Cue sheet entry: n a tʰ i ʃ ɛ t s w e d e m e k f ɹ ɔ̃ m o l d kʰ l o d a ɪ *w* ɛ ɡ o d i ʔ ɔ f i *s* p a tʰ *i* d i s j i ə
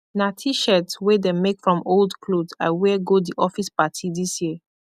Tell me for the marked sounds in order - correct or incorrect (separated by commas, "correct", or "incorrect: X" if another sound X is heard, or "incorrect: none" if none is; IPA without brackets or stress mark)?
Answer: correct, correct, correct